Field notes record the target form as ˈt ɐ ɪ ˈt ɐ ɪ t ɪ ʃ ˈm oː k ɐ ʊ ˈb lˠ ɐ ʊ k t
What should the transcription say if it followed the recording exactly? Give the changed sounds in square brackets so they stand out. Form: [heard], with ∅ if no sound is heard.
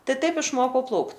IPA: ˈt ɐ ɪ ˈt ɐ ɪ [p] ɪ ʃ ˈm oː k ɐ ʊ [ˈp] lˠ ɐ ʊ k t

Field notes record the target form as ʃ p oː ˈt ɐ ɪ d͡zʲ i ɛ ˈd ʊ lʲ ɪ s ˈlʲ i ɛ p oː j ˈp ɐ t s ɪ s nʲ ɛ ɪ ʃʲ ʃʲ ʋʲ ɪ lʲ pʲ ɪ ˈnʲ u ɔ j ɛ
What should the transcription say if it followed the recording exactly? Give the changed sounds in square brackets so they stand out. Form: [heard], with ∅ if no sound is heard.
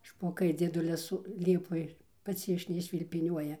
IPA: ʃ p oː [ˈk] ɐ ɪ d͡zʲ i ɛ ˈd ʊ lʲ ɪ s ˈlʲ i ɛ p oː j ˈp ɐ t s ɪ [ʃ] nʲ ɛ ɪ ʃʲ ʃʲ ʋʲ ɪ lʲ pʲ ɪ ˈnʲ u ɔ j ɛ

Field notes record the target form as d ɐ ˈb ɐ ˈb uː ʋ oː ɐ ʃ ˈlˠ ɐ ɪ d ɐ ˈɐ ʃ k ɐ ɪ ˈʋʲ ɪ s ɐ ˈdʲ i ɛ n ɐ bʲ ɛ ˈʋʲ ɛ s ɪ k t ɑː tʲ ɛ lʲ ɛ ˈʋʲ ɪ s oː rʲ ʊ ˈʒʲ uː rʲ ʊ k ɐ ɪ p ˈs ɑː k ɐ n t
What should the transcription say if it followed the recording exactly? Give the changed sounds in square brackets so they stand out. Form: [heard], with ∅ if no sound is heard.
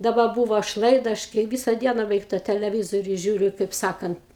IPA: d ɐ ˈb ɐ ˈb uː ʋ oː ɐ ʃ ˈlˠ ɐ ɪ d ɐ ˈɐ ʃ k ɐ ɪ ˈʋʲ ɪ s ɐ ˈdʲ i ɛ n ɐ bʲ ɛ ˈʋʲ ɛ [∅] ɪ k t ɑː tʲ ɛ lʲ ɛ ˈʋʲ ɪ [z] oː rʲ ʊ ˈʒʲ uː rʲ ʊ k ɐ ɪ p ˈs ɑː k ɐ n t

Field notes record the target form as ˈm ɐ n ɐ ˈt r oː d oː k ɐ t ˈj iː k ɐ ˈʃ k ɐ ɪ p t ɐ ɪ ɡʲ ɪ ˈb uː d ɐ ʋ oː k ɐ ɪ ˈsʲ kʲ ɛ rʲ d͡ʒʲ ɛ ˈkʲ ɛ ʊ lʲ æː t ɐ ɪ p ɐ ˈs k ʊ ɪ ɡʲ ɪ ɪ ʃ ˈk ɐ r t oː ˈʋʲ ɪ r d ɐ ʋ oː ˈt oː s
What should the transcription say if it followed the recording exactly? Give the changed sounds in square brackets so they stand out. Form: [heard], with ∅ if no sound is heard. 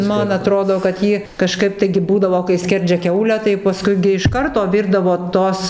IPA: ˈm ɐ n ɐ ˈt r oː d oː k ɐ t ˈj iː k ɐ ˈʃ k ɐ ɪ p t ɐ ɪ ɡʲ ɪ ˈb uː d ɐ ʋ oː k ɐ ɪ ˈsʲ kʲ ɛ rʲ d͡ʒʲ ɛ ˈkʲ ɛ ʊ lʲ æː t ɐ ɪ p ɐ ˈs k ʊ ɪ ɡʲ ɪ ɪ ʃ ˈk ɐ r t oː ˈʋʲ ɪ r d ɐ ʋ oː ˈt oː s

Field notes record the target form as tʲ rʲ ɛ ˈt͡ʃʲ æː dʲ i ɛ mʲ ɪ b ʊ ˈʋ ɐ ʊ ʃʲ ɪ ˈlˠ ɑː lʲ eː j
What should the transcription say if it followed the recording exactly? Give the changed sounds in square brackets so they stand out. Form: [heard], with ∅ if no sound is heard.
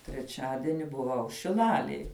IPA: tʲ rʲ ɛ ˈt͡ʃʲ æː dʲ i ɛ [nʲ] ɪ b ʊ ˈʋ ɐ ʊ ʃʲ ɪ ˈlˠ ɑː lʲ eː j

